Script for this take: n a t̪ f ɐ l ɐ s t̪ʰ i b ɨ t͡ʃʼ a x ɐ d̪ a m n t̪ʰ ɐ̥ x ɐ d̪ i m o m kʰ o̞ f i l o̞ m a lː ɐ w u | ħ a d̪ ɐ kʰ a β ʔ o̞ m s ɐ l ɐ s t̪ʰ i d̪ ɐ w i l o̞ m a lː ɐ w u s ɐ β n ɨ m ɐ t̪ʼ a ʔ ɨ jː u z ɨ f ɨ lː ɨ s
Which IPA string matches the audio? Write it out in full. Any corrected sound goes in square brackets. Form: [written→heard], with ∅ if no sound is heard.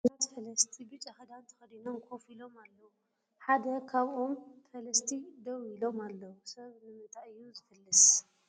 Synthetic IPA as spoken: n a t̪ f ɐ l ɐ s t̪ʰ i b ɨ t͡ʃʼ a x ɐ d̪ a [m→∅] n t̪ʰ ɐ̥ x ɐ d̪ i [m→n] o m kʰ o̞ f i l o̞ m a lː ɐ w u | ħ a d̪ ɐ kʰ a β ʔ o̞ m [s→f] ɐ l ɐ s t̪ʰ i d̪ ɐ w i l o̞ m a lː ɐ w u s ɐ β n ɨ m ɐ t̪ʼ a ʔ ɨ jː u z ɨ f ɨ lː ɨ s